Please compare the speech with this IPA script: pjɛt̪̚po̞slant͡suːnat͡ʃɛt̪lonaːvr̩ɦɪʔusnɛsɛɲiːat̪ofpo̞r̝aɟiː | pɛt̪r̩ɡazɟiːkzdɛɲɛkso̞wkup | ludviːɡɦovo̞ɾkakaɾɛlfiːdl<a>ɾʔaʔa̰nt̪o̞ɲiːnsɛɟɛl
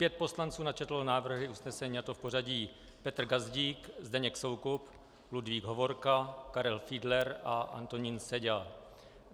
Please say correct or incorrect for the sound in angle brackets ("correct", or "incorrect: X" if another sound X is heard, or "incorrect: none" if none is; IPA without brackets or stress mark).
incorrect: ɛ